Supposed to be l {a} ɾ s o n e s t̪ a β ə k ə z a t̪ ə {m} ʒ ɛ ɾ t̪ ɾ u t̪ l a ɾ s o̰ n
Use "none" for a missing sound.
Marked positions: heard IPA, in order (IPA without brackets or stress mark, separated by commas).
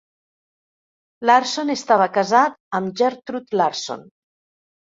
a, m